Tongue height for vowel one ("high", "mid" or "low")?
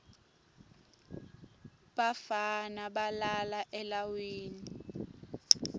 low